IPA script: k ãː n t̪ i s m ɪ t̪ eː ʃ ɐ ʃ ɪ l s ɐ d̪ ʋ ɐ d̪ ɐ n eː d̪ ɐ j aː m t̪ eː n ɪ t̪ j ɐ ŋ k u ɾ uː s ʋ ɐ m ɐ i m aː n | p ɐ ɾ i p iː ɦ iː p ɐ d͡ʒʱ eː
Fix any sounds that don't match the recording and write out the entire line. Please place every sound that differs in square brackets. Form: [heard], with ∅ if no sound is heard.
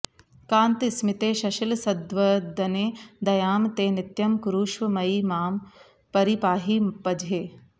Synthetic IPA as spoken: k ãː n t̪ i s m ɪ t̪ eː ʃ ɐ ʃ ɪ l s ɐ d̪ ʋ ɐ d̪ ɐ n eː d̪ ɐ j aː m t̪ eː n ɪ t̪ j ɐ [m] k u ɾ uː [ʃ] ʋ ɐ m ɐ i m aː [m] | p ɐ ɾ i p [aː] ɦ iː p ɐ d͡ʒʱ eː